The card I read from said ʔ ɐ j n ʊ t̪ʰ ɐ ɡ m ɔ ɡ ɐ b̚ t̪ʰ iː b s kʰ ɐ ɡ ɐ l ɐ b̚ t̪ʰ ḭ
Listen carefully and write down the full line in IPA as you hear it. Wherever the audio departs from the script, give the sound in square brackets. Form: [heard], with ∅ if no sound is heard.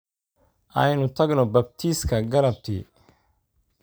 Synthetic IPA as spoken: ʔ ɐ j n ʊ t̪ʰ ɐ ɡ [n] ɔ [b] ɐ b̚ t̪ʰ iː [∅] s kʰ ɐ ɡ ɐ l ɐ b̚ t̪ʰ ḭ